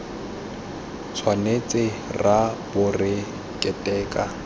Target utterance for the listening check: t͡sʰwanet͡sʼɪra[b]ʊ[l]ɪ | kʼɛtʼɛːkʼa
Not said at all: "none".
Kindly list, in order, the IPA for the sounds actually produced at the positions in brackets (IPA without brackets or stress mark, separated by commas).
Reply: b, r